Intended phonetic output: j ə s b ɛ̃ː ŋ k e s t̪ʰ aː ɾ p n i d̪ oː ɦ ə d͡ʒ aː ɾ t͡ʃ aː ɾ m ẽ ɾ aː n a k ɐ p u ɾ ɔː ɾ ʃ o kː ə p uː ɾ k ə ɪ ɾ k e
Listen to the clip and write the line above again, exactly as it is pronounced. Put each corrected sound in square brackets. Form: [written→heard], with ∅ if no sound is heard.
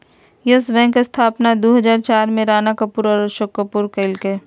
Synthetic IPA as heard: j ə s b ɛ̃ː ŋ k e s t̪ʰ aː [ɾ→∅] p n [i→a] d̪ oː ɦ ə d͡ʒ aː ɾ t͡ʃ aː ɾ m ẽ ɾ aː n a k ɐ p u ɾ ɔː ɾ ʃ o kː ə p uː ɾ k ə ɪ [ɾ→l] k e